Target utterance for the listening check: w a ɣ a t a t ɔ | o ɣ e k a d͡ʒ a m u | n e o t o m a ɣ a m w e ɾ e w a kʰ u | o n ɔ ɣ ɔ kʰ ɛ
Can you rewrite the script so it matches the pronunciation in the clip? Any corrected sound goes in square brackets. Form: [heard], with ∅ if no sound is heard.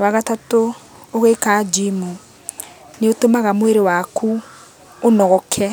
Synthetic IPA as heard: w a ɣ a t a t [o] | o ɣ e k a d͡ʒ [i] m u | n e o t o m a ɣ a m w e ɾ e w a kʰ u | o n ɔ ɣ ɔ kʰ ɛ

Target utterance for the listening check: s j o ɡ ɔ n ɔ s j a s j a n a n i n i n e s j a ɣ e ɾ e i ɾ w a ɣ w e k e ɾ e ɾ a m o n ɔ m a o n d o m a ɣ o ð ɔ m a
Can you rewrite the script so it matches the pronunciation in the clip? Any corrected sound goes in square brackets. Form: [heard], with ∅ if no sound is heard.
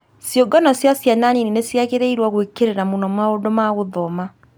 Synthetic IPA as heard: s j o ɡ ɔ n ɔ s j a s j a n a n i n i n e s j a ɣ e ɾ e i ɾ w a ɣ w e k e ɾ e ɾ a m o n ɔ m a o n d o m a ɣ o ð ɔ m a

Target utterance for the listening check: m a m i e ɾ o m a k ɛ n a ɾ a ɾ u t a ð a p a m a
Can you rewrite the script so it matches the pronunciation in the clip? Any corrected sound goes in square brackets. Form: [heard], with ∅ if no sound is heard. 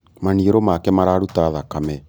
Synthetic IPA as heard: m a [n] i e ɾ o m a k ɛ [m] a ɾ a ɾ u t a ð a [k] a m [ɛ]

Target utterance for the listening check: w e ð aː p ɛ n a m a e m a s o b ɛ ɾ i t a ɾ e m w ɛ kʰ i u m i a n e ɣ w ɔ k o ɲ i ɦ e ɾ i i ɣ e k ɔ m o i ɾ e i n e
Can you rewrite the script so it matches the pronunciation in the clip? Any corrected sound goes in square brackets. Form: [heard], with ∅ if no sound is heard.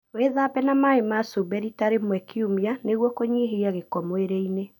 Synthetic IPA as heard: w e ð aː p ɛ n a m a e m a s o b ɛ ɾ i t a ɾ e m w ɛ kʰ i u m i a n e ɣ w ɔ k o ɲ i ɦ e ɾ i [a] ɣ e k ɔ m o [e] ɾ e i n e

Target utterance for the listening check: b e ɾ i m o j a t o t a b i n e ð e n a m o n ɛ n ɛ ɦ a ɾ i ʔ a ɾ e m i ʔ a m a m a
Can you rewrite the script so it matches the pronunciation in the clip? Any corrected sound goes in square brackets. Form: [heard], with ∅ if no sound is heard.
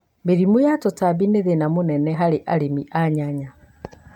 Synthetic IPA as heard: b e ɾ i m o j a t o t a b i n e ð e n a m o n ɛ n ɛ ɦ a ɾ [e] ʔ a ɾ e m i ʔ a [ɲ] a [ɲ] a

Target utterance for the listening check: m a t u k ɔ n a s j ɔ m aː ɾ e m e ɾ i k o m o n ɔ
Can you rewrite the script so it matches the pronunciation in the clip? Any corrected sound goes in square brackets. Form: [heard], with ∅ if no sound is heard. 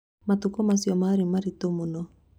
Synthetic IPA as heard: m a t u k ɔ [m] a s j ɔ m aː ɾ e m [a] ɾ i [t] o m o n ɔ

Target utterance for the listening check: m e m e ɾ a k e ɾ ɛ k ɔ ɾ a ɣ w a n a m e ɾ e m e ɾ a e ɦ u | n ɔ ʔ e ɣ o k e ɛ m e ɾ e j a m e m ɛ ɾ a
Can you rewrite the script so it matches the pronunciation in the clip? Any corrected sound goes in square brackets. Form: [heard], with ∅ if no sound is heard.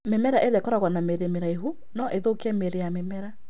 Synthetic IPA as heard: m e m [ɛ] ɾ a [ʔ] e ɾ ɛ k ɔ ɾ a ɣ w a n a m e ɾ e m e ɾ a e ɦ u | n ɔ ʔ e [ð] o k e ɛ m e ɾ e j a m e m ɛ ɾ a

